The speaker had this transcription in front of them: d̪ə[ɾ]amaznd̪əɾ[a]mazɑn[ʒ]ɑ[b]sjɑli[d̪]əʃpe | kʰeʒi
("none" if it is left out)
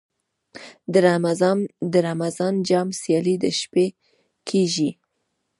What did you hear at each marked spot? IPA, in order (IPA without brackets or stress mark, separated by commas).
ɾ, a, d͡ʒ, m, d̪